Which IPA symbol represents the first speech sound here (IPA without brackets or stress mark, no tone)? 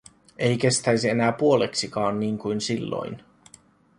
e